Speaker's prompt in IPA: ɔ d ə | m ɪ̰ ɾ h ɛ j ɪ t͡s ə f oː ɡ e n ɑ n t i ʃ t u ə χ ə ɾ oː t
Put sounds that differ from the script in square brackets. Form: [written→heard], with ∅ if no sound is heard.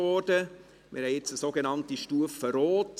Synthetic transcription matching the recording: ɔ d ə | m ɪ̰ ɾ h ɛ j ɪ t͡s ə [f→s] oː ɡ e n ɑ n t i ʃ t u ə [χ→f] ə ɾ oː t